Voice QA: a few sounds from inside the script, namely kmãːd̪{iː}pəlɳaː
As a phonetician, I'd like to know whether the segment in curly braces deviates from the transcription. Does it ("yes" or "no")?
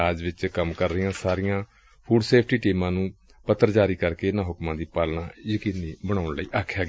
no